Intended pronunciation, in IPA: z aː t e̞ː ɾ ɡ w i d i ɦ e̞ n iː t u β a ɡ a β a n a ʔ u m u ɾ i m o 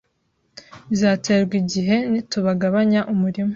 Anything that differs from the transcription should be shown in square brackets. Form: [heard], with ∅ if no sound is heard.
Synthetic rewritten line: z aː t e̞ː ɾ ɡ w i [ɟ] i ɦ e̞ n [i] t u β a ɡ a β a [ɲ] a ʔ u m u ɾ i m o